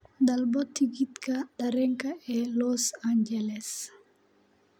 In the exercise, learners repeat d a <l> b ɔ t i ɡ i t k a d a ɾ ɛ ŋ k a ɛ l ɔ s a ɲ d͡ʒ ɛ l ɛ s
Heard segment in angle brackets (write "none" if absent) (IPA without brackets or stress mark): l